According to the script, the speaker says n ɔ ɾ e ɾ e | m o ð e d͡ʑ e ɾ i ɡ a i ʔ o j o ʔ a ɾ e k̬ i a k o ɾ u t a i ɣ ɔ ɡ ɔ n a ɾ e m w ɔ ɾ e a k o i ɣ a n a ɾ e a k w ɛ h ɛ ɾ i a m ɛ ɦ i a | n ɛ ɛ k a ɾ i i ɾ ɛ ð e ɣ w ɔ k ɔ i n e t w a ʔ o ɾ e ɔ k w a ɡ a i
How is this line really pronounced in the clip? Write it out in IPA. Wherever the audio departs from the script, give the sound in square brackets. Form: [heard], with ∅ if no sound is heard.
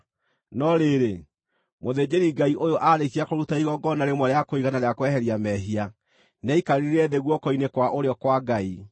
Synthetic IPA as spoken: n ɔ ɾ e ɾ e | m o ð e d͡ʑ e ɾ i ɡ a i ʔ o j o ʔ a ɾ e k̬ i a k o ɾ u t a i ɣ ɔ ɡ ɔ n a ɾ e m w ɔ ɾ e a k o i ɣ a n a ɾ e a k w ɛ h ɛ ɾ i a m ɛ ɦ i a | n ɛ [i] k a ɾ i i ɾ ɛ ð e ɣ w ɔ k ɔ i n e [k] w a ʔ o ɾ e ɔ k w a ɡ a i